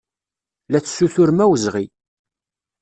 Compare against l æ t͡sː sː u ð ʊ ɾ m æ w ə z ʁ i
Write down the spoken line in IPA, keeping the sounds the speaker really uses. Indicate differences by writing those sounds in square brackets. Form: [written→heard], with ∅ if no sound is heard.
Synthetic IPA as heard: l æ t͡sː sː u [ð→θ] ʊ ɾ m æ w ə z ʁ i